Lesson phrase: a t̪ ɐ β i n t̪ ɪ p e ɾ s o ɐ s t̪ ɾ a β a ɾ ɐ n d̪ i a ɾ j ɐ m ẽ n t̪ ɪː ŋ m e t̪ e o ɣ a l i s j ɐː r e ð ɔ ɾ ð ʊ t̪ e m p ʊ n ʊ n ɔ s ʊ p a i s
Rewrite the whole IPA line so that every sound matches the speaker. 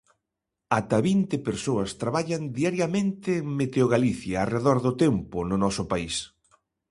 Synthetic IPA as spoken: a t̪ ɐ β i n t̪ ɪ p e ɾ s o ɐ s t̪ ɾ a β a ʎ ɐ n d̪ i a ɾ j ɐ m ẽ n t̪ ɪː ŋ m e t̪ e o ɣ a l i θ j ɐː r e ð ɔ ɾ ð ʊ t̪ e m p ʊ n ʊ n ɔ s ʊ p a i s

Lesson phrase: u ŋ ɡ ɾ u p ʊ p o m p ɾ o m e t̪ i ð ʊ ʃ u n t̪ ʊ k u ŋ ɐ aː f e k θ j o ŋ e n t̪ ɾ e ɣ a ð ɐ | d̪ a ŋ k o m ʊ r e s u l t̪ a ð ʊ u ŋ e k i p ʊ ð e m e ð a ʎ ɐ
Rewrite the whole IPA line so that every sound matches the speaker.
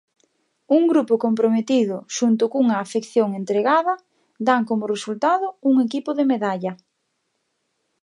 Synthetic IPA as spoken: u ŋ ɡ ɾ u p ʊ k o m p ɾ o m e t̪ i ð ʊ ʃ u n t̪ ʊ k u ŋ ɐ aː f e k θ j o ŋ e n t̪ ɾ e ɣ a ð ɐ | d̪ a ŋ k o m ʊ r e s u l t̪ a ð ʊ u ŋ e k i p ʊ ð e m e ð a ʎ ɐ

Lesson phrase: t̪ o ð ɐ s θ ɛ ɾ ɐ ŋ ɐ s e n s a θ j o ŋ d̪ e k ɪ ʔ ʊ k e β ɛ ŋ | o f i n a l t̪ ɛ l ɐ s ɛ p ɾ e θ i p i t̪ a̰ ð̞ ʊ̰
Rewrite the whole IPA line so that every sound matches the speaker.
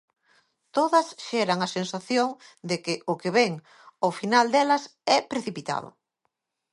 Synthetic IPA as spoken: t̪ o ð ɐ s ʃ ɛ ɾ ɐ ŋ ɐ s e n s a θ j o ŋ d̪ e k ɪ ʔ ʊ k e β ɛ ŋ | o f i n a l d̪ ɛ l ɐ s ɛ p ɾ e θ i p i t̪ a̰ ð̞ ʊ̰

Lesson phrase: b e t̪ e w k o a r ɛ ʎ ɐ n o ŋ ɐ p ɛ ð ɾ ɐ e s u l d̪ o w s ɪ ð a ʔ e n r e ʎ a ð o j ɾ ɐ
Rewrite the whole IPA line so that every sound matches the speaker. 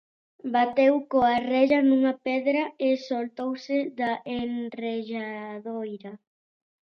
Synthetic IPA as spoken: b a t̪ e w k o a r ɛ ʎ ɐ n u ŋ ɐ p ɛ ð ɾ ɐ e s o l t̪ o w s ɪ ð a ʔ e n r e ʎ a ð o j ɾ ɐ

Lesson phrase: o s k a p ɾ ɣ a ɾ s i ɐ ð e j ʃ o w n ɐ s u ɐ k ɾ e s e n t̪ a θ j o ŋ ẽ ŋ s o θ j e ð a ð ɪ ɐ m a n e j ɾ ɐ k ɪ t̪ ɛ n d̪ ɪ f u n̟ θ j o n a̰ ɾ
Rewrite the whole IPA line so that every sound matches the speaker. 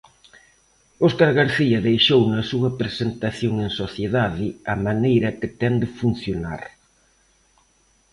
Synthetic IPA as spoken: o s k a ɾ ɣ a ɾ θ i ɐ ð e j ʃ o w n ɐ s u ɐ p ɾ e s e n t̪ a θ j o ŋ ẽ ŋ s o θ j e ð a ð ɪ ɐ m a n e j ɾ ɐ k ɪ t̪ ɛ n d̪ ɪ f u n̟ θ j o n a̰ ɾ

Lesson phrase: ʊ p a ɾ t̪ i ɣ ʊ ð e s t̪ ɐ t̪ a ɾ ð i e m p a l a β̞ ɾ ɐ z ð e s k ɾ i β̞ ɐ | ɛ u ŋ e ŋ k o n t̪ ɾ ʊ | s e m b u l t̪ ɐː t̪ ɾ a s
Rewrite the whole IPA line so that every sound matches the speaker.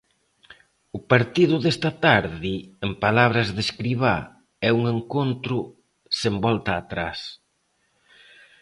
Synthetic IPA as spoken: ʊ p a ɾ t̪ i ð ʊ ð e s t̪ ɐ t̪ a ɾ ð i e m p a l a β̞ ɾ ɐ z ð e s k ɾ i β̞ a | ɛ u ŋ e ŋ k o n t̪ ɾ ʊ | s e m b ɔ l t̪ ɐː t̪ ɾ a s

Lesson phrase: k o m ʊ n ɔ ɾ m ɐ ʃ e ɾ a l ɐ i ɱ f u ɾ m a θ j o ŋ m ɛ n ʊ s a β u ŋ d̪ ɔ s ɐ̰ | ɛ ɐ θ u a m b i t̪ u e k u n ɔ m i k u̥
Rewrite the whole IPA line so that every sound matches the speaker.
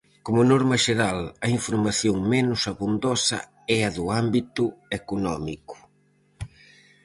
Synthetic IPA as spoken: k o m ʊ n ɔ ɾ m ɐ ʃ e ɾ a l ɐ i ɱ f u ɾ m a θ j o ŋ m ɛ n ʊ s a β u n d̪ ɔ s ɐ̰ | ɛ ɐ ð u a m b i t̪ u e k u n ɔ m i k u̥

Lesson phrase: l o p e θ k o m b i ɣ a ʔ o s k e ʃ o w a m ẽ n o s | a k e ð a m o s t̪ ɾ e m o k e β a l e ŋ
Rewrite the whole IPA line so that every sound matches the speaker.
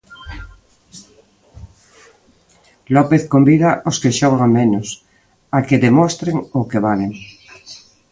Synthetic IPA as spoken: l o p e θ k o m b i ð a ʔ o s k e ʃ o ɣ a m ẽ n o s | a k e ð e m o s t̪ ɾ e ŋ o k e β a l e ŋ

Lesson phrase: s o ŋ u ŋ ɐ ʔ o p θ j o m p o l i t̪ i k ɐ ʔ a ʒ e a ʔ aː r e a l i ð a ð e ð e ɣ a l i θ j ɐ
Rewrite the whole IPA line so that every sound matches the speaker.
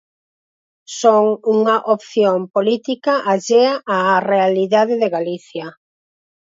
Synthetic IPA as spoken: s o ŋ u ŋ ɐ ʔ o p θ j o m p o l i t̪ i k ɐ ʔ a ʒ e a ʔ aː r e a l i ð a ð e ð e ɣ a l i θ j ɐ

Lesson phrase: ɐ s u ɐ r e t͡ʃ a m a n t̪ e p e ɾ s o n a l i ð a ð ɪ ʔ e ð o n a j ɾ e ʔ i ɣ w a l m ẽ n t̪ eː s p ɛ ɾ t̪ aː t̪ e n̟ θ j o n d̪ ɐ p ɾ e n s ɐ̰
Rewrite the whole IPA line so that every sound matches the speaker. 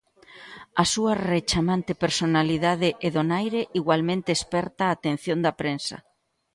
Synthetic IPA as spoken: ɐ s u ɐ r e t͡ʃ a m a n t̪ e p e ɾ s o n a l i ð a ð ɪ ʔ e ð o n a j ɾ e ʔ i ɣ w a l m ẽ n t̪ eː s p ɛ ɾ t̪ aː t̪ e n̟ θ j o n d̪ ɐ p ɾ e n s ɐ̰

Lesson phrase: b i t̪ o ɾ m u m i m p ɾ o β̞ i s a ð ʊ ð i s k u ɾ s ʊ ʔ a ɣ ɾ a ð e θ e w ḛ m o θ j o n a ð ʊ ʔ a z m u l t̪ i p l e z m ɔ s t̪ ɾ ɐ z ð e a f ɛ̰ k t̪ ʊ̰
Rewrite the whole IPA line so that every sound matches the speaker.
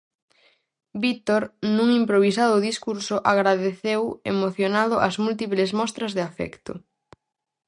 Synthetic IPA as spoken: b i t̪ o ɾ n u ŋ i m p ɾ o β̞ i s a ð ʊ ð i s k u ɾ s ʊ ʔ a ɣ ɾ a ð e θ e w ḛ m o θ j o n a ð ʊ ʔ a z m u l t̪ i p l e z m ɔ s t̪ ɾ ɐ z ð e a f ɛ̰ k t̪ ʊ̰

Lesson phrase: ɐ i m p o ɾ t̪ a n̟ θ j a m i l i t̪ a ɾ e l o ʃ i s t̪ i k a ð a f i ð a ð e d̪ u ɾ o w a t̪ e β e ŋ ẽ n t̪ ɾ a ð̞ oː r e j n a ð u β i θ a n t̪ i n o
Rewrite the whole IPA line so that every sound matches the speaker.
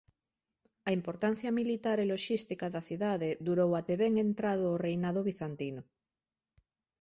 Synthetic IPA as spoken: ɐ i m p o ɾ t̪ a n̟ θ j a m i l i t̪ a ɾ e l o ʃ i s t̪ i k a ð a θ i ð a ð e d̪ u ɾ o w a t̪ e β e ŋ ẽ n t̪ ɾ a ð̞ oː r e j n a ð o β i θ a n t̪ i n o

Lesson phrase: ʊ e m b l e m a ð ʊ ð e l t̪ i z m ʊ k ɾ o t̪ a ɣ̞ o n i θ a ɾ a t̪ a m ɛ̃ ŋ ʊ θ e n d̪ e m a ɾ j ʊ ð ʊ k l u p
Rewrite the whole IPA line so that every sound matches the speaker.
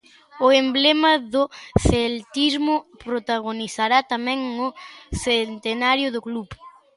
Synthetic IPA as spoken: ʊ e m b l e m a ð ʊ θ e l t̪ i z m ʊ p ɾ o t̪ a ɣ̞ o n i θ a ɾ a t̪ a m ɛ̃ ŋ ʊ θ e n t̪ e n a ɾ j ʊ ð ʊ k l u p

